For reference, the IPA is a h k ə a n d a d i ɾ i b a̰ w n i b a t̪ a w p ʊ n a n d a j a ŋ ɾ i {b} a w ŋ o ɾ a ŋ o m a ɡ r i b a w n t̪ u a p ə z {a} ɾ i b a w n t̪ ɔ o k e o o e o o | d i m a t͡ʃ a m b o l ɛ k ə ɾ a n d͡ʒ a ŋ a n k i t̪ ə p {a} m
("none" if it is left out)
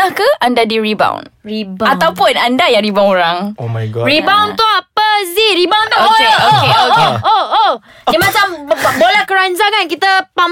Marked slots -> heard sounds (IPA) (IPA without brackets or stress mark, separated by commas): b, i, a